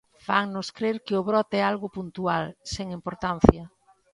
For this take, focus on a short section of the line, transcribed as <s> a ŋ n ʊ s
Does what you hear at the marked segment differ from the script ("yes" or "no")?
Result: yes